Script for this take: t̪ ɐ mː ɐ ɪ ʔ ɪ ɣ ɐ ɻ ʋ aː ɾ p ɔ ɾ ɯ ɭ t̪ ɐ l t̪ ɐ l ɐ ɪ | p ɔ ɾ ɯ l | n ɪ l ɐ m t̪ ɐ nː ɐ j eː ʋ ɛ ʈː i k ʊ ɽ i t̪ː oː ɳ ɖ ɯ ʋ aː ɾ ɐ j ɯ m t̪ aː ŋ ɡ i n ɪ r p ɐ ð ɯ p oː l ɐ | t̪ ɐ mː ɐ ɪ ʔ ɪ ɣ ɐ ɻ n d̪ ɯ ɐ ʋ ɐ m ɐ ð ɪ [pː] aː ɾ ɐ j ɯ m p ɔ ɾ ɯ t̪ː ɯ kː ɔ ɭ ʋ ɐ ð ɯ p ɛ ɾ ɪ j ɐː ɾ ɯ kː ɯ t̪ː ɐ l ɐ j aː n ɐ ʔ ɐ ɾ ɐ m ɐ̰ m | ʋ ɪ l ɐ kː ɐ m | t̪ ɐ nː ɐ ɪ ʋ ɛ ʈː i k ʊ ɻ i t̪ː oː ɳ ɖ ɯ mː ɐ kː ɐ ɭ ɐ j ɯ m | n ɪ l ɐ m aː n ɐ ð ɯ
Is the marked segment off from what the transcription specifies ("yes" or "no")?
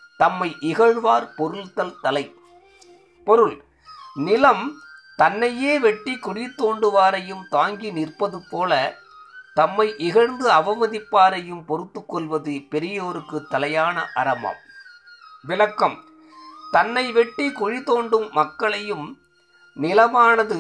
no